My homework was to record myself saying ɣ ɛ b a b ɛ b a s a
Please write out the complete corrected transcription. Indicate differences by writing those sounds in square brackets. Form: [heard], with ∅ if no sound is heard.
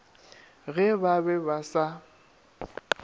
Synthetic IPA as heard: ɣ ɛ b a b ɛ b a s a